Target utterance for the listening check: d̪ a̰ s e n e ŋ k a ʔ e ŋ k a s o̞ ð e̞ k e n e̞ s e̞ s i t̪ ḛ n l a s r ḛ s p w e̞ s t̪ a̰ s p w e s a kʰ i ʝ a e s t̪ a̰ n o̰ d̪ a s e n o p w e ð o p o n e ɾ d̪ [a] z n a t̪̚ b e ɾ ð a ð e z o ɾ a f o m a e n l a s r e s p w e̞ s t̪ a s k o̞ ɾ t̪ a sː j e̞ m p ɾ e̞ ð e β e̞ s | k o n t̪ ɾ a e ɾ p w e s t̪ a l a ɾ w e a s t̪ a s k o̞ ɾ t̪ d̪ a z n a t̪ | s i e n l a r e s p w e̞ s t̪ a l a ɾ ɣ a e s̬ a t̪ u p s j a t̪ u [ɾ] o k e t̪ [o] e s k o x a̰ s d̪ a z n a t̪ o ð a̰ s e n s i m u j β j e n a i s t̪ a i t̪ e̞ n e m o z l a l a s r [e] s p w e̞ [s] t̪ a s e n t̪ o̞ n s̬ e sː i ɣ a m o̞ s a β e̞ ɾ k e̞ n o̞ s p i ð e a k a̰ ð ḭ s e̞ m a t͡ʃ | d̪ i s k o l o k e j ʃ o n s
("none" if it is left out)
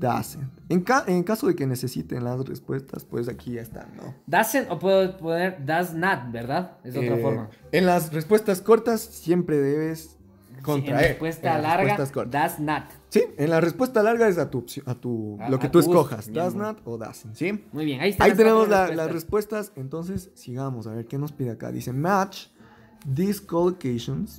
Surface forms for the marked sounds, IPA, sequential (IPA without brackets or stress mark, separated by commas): a, l, u, e, s